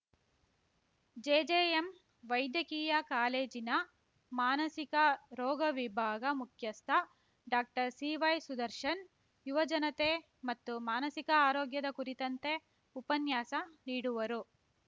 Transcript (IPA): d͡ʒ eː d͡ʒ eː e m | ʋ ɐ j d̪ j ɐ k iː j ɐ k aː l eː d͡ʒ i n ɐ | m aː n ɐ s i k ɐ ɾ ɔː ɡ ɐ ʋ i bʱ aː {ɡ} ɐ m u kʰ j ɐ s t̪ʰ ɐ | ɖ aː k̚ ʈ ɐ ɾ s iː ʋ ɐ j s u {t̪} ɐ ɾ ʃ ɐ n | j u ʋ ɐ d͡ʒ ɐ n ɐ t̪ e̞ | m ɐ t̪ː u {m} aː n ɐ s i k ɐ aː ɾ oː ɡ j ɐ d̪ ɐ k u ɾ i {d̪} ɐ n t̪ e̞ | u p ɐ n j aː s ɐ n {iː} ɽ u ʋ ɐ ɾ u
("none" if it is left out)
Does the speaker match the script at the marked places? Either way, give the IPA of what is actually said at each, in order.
ɡ, d̪, m, t̪, iː

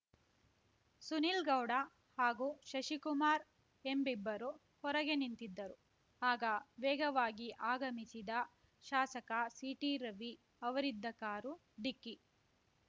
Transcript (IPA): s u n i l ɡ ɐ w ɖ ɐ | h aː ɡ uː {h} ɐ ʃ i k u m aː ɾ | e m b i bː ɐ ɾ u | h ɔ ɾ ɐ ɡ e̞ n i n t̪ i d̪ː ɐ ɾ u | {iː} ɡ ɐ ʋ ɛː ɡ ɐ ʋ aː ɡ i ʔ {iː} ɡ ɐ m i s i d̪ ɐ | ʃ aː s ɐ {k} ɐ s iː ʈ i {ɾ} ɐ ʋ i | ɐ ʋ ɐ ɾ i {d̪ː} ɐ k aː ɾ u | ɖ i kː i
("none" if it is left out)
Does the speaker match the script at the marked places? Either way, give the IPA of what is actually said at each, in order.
ʃ, aː, aː, k, ɾ, d̪ː

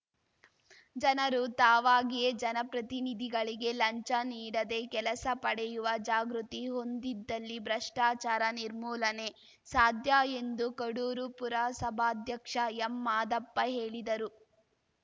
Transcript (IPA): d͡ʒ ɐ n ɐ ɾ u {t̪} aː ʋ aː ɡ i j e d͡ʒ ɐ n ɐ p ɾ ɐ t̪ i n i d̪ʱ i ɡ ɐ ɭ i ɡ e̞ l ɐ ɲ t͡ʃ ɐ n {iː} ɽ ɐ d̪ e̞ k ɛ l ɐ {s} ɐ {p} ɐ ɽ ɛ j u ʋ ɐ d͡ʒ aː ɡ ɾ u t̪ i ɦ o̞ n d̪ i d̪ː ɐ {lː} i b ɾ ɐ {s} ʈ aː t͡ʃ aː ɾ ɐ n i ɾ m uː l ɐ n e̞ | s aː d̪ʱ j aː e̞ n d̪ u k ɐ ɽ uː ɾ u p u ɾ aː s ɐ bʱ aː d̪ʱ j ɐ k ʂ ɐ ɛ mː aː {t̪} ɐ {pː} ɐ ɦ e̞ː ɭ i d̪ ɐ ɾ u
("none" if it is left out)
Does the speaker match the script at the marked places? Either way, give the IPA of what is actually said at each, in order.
t̪, iː, s, p, lː, ʂ, d̪, pː

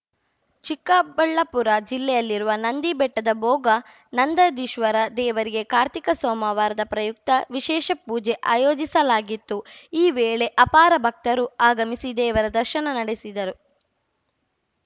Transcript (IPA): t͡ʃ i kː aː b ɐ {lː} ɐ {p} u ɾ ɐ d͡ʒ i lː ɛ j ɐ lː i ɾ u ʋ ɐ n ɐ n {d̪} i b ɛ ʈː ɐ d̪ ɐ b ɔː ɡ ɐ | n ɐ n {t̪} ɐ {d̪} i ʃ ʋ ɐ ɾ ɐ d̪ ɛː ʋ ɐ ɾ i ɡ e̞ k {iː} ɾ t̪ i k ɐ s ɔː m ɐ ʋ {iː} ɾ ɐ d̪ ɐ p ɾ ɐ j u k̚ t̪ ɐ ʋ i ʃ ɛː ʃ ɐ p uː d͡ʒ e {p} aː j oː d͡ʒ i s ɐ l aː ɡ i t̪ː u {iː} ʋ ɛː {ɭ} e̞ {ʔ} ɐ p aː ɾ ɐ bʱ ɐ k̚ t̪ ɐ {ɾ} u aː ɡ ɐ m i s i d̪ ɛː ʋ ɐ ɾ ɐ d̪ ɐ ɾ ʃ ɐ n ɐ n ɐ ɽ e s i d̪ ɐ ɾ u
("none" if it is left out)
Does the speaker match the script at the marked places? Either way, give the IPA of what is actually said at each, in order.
ɭː, p, d̪, d̪, d̪, aː, aː, ʔ, iː, ɭ, ʔ, ɾ

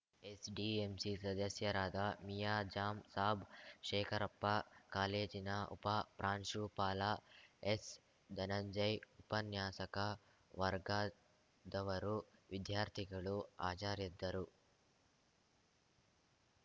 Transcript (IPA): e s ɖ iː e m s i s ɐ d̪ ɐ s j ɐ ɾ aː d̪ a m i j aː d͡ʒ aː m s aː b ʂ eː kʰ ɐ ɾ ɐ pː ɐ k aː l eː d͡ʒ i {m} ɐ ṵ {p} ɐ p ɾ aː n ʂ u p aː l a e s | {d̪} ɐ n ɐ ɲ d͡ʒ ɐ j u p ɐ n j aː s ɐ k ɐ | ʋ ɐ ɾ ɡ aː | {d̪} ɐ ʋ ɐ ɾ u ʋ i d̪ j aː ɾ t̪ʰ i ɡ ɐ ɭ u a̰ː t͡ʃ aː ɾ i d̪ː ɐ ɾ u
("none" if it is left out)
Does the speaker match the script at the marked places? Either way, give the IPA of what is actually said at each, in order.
n, p, d̪, d̪

